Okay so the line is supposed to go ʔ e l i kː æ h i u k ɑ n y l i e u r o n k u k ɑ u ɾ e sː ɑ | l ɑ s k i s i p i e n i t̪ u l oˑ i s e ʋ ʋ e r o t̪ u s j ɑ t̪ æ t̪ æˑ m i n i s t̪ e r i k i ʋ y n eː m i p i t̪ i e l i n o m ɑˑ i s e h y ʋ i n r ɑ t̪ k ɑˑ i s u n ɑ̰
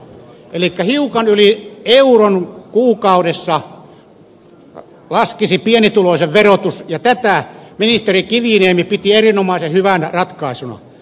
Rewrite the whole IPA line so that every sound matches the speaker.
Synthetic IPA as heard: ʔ e l i kː æ h i u k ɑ n y l i e u r o n k uː k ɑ u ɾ e sː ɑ | l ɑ s k i s i p i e n i t̪ u l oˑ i s e ʋ ʋ e r o t̪ u s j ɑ t̪ æ t̪ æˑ m i n i s t̪ e r i k i ʋ i n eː m i p i t̪ i e r i n o m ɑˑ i s e h y ʋ æ n r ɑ t̪ k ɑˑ i s u n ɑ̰